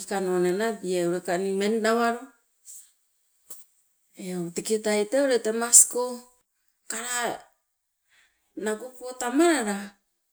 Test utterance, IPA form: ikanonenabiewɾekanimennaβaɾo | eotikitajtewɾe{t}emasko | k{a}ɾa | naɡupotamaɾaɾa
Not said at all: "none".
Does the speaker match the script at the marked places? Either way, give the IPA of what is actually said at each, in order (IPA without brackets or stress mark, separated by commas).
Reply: t, a